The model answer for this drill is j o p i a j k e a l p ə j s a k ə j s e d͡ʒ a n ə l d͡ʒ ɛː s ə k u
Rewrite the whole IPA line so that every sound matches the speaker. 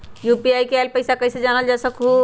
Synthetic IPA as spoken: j u p i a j k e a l p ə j s a k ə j s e d͡ʒ a n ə l d͡ʒ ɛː s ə k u